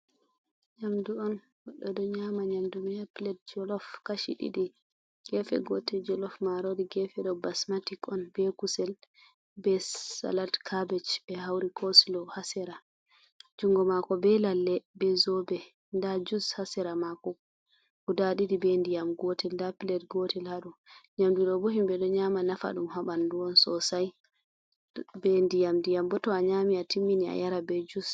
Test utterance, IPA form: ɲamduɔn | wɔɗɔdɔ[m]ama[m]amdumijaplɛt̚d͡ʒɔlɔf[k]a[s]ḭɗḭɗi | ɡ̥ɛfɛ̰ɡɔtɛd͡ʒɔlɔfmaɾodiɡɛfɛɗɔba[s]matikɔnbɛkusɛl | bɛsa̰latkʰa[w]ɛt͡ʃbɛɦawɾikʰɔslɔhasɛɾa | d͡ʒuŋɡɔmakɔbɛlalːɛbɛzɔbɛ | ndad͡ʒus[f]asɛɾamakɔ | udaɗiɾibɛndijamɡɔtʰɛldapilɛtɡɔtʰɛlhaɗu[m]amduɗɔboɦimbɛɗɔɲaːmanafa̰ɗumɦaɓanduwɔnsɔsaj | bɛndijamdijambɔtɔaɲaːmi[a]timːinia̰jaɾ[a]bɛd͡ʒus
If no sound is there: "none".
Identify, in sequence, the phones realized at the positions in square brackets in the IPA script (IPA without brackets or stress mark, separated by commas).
ɲ, ɲ, k, ʃ, s, b, h, ɲ, a, a